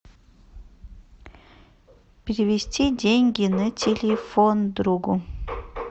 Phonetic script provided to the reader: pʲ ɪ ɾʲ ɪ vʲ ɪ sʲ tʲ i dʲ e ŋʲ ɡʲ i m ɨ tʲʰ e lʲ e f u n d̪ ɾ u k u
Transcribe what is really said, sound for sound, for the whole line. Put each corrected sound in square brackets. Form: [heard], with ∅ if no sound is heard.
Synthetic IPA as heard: pʲ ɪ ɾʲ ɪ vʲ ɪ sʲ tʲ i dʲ e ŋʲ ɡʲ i [n] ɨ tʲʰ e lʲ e f [o] n d̪ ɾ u [ɡ] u